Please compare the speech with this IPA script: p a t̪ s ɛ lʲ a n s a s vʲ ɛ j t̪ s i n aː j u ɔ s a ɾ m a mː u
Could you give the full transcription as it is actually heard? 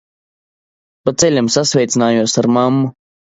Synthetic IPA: p a t̪ s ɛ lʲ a m s a s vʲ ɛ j t̪ s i n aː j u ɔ s a ɾ m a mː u